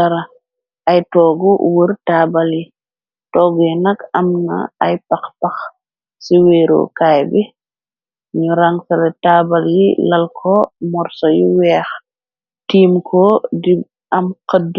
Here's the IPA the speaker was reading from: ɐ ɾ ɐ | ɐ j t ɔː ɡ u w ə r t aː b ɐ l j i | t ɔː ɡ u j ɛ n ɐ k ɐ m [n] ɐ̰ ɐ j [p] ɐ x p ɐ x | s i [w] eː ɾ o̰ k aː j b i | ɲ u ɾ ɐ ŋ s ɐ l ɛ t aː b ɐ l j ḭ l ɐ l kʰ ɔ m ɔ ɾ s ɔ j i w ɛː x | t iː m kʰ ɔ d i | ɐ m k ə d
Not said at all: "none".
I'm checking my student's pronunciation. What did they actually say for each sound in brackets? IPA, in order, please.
n, p, w

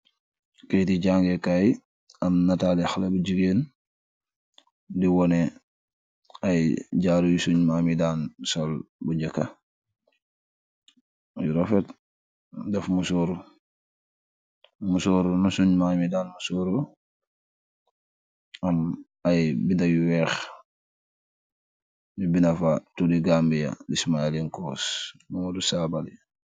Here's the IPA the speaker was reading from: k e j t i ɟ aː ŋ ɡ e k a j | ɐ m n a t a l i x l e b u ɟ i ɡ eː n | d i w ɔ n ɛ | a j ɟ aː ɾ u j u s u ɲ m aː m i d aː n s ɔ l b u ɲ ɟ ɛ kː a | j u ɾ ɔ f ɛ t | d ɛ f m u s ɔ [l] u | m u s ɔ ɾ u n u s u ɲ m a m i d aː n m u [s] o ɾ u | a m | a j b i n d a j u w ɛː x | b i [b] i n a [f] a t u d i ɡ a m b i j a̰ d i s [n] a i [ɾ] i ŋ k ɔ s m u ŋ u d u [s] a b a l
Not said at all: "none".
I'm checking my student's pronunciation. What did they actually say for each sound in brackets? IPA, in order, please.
ɾ, s, b, f, m, l, s

